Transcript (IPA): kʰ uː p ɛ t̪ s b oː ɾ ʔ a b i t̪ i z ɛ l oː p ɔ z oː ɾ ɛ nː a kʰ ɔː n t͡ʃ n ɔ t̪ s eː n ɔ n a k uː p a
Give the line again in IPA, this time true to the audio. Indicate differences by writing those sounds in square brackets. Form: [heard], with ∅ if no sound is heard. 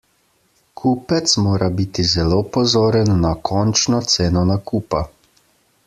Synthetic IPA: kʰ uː p ɛ t̪ s [m] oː ɾ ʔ a b i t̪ i z ɛ l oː p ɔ z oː ɾ ɛ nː a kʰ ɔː n t͡ʃ n ɔ t̪ s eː n ɔ n a k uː p a